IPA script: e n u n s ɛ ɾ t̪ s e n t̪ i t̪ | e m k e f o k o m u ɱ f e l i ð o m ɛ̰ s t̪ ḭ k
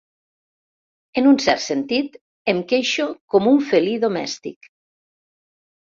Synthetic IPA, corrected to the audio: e n u n s ɛ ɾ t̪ s e n t̪ i t̪ | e m k e ʃ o k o m u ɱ f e l i ð o m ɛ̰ s t̪ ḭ k